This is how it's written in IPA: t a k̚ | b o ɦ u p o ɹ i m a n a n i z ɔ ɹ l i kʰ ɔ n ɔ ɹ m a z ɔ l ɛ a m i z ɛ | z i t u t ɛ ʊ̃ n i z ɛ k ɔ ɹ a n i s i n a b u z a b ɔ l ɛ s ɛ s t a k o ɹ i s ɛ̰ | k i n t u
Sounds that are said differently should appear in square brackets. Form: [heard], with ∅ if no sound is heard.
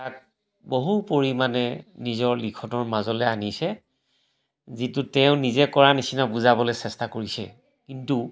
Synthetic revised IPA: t a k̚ | b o ɦ u p o ɹ i m a n [ɛ] n i z ɔ ɹ l i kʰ ɔ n ɔ ɹ m a z ɔ l ɛ a [n] i [s] ɛ | z i t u t ɛ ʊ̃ n i z ɛ k ɔ ɹ a n i s i n a b u z a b ɔ l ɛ s ɛ s t a k o ɹ i s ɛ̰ | k i n t u